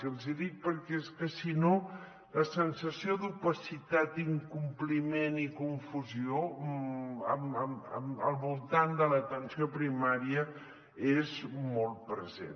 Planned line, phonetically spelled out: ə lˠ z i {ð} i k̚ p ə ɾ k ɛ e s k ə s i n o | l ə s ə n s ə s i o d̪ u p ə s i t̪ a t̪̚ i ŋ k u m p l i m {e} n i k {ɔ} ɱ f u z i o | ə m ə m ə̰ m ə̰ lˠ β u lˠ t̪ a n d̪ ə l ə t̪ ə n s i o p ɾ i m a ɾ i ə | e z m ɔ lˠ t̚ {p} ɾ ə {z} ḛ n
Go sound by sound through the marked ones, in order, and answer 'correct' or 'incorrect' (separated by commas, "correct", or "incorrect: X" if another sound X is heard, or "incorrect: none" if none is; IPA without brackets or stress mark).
correct, correct, incorrect: u, correct, correct